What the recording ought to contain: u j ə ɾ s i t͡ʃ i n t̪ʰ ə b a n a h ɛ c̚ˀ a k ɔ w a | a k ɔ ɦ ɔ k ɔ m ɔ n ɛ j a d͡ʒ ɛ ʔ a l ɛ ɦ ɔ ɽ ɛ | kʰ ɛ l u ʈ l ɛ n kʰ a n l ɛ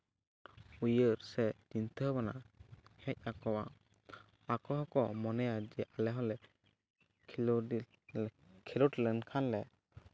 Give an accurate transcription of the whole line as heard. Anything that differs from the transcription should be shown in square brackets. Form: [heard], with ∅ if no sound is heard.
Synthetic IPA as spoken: u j ə ɾ s [ɛ] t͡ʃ i n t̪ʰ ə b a n a h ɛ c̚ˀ a k ɔ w a | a k ɔ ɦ ɔ k ɔ m ɔ n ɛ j a d͡ʒ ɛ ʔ a l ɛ ɦ ɔ [l] ɛ | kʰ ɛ l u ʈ l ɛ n kʰ a n l ɛ

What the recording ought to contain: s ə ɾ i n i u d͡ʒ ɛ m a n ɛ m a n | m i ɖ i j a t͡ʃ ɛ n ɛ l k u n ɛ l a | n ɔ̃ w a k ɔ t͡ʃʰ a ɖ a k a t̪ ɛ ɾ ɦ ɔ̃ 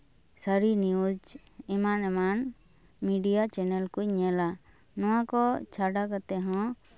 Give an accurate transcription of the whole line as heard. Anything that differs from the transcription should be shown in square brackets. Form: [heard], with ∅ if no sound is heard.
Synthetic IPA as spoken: s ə ɾ i n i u d͡ʒ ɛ m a n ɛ m a n | m i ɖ i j a t͡ʃ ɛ n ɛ l k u [ɲ] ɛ l a | n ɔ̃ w a k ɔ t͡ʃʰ a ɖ a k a t̪ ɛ [∅] ɦ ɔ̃

